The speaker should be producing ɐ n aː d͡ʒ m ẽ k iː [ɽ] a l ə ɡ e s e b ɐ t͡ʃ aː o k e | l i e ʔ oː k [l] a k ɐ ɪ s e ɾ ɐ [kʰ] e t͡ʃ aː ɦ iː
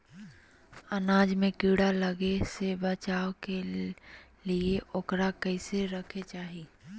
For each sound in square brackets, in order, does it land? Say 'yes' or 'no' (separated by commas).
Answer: yes, no, yes